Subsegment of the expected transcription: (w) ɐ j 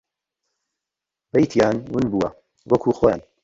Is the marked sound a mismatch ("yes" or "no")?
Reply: yes